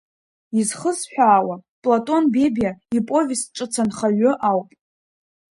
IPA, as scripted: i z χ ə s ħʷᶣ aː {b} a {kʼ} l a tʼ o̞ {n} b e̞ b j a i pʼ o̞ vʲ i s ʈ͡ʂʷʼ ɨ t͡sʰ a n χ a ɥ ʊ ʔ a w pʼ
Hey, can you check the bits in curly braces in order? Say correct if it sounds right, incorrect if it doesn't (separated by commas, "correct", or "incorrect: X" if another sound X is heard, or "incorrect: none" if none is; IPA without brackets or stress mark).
incorrect: w, incorrect: pʼ, correct